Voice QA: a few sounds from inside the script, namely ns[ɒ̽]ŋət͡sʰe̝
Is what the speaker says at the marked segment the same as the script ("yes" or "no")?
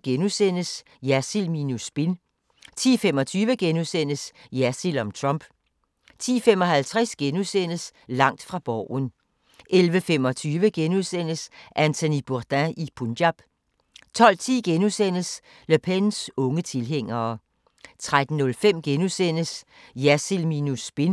no